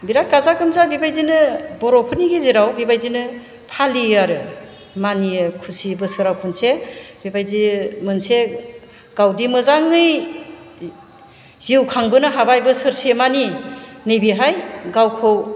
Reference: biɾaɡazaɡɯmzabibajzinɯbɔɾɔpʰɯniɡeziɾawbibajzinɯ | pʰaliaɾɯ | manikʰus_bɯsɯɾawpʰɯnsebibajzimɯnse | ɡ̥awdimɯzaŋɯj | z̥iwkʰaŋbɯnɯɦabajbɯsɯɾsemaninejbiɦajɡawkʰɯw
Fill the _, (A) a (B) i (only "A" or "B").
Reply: B